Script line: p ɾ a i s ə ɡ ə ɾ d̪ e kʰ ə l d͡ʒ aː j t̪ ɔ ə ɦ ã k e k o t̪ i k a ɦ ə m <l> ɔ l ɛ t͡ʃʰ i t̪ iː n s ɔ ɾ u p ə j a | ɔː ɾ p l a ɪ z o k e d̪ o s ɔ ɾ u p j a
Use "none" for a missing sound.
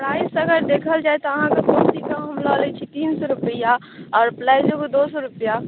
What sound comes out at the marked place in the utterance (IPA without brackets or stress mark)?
l